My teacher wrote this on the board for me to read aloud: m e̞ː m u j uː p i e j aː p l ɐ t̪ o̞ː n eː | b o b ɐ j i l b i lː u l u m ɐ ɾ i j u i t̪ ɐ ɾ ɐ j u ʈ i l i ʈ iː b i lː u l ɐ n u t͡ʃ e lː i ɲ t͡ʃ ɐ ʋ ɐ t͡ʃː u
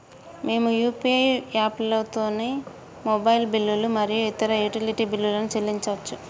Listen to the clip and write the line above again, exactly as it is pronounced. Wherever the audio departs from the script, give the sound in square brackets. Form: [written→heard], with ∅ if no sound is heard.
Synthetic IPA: m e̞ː m u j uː p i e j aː p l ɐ t̪ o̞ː n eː | [b→m] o b ɐ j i l b i lː u l u m ɐ ɾ i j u i t̪ ɐ ɾ ɐ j u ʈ i l i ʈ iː b i lː u l ɐ n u t͡ʃ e lː i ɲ t͡ʃ ɐ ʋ ɐ t͡ʃː u